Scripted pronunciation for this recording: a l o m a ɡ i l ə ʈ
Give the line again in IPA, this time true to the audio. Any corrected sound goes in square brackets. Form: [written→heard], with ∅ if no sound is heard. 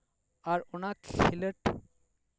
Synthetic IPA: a [l→ɾ] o [m→n] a [ɡ→k] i l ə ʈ